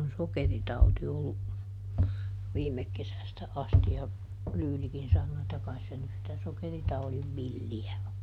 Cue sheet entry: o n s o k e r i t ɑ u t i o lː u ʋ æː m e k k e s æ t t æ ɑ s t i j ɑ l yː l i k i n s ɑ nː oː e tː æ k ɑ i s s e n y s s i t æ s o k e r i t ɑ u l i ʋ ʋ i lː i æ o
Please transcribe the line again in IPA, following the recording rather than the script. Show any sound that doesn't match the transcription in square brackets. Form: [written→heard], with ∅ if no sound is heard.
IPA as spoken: o n s o k e r i t ɑ u t i o lː u ʋ [æː→iː] m e k k e s æ [t→s] t æ ɑ s t i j ɑ l yː l i k i n s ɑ nː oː e tː æ k ɑ i s s e n y s s i t æ s o k e r i t ɑ u l i ʋ ʋ i lː i æ o